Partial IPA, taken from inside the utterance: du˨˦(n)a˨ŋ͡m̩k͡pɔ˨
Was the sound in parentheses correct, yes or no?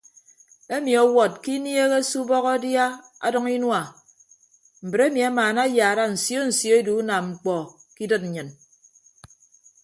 yes